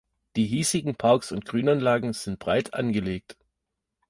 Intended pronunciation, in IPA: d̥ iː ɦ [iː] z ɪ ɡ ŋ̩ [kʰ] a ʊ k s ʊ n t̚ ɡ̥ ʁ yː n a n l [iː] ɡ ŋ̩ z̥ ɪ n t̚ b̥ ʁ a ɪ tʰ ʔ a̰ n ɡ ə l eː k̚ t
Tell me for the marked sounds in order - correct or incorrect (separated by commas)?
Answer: correct, incorrect, incorrect